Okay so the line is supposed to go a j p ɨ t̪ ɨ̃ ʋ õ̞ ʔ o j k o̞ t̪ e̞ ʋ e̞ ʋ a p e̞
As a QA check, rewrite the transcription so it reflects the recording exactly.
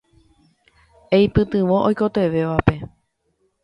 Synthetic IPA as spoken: e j p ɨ t̪ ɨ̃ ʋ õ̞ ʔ o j k o̞ t̪ e̞ ʋ e̞ ʋ a p e̞